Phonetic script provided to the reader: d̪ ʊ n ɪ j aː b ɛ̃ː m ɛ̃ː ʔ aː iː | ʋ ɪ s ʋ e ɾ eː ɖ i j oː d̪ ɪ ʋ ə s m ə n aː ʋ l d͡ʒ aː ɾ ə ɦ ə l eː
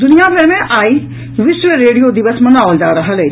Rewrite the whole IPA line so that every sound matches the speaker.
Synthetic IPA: d̪ ʊ n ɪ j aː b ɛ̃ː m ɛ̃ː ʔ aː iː | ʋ ɪ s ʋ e ɾ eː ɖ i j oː d̪ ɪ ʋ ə s m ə n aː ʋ l d͡ʒ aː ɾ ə ɦ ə l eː